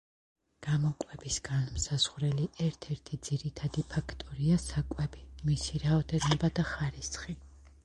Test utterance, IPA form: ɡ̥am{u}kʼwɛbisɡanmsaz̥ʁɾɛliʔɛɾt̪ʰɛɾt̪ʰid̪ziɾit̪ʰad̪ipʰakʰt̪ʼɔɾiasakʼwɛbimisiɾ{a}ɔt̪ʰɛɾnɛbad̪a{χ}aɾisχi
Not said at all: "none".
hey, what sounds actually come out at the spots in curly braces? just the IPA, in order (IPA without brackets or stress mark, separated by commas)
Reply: ɔ, a, χ